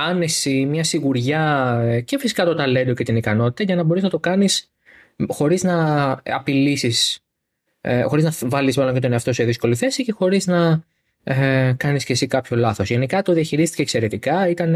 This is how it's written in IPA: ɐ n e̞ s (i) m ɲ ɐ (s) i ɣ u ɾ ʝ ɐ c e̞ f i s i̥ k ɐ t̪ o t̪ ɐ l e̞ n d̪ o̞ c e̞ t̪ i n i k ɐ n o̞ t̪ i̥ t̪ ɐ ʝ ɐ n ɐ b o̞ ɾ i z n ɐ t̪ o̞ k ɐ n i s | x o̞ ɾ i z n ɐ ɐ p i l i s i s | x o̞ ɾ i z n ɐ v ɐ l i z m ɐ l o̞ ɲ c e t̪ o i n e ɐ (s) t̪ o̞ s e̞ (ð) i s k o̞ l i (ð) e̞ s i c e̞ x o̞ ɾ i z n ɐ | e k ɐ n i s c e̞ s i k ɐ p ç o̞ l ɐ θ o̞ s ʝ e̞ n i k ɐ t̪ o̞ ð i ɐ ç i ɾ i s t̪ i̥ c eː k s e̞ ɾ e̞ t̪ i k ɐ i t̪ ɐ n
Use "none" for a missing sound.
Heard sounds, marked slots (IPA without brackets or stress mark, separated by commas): i, s, f, ð, θ